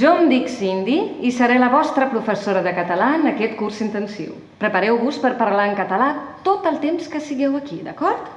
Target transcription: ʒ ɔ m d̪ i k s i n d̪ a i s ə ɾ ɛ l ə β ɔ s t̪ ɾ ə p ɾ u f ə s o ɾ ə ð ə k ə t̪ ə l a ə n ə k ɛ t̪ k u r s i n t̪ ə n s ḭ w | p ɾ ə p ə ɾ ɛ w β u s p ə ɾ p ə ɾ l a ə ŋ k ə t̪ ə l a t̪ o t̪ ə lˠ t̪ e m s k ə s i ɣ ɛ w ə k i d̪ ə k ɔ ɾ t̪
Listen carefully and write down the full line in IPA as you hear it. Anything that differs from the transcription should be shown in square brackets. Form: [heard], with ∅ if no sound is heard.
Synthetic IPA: ʒ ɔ m d̪ i k s i n d̪ [i] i s ə ɾ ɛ l ə β ɔ s t̪ ɾ ə p ɾ u f ə s o ɾ ə ð ə k ə t̪ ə l a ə n ə k ɛ t̪ k u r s i n t̪ ə n s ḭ w | p ɾ ə p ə ɾ ɛ w β u s p ə ɾ p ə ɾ l a ə ŋ k ə t̪ ə l a t̪ o t̪ ə lˠ t̪ e m s k ə s i ɣ ɛ w ə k i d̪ ə k ɔ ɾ t̪